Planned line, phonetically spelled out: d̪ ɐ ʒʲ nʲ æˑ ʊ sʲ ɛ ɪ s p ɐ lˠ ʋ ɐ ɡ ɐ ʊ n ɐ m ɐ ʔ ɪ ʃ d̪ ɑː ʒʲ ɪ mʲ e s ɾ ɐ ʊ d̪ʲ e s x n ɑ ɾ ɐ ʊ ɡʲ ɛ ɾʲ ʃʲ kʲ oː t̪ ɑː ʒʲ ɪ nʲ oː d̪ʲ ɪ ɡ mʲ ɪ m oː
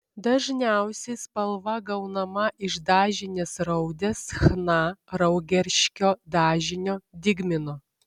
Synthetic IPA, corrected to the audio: d̪ ɐ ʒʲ nʲ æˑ ʊ sʲ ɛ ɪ s p ɐ lˠ ʋ ɐ ɡ ɐ ʊ n ɐ m ɐ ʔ ɪ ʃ d̪ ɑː ʒʲ ɪ nʲ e s ɾ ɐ ʊ d̪ʲ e s x n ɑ ɾ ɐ ʊ ɡʲ ɛ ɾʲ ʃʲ kʲ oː d̪ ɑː ʒʲ ɪ nʲ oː d̪ʲ ɪ ɡ mʲ ɪ n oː